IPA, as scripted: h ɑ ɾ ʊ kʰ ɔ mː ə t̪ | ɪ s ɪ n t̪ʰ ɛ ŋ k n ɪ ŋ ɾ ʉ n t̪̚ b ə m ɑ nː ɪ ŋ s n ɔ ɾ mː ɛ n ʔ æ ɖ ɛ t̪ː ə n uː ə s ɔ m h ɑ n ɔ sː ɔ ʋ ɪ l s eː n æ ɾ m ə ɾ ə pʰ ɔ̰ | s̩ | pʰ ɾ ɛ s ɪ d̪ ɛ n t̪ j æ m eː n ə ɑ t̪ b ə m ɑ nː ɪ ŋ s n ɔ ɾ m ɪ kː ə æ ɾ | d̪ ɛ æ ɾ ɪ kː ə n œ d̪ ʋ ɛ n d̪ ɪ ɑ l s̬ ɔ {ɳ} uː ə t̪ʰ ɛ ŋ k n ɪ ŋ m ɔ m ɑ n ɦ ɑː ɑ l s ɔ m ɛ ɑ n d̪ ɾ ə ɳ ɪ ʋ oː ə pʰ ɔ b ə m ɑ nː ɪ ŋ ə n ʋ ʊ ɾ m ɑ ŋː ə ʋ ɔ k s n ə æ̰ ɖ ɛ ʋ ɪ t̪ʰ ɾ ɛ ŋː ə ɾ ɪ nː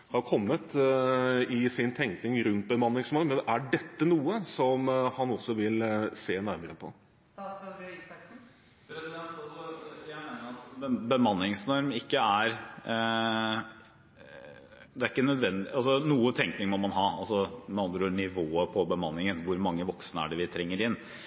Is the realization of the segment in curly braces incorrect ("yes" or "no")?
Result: yes